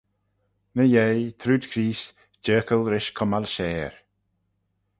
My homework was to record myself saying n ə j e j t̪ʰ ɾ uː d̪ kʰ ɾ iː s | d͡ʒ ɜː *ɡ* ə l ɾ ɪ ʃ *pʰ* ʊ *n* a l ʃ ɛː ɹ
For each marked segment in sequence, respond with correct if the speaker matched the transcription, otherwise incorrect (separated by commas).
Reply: incorrect, incorrect, incorrect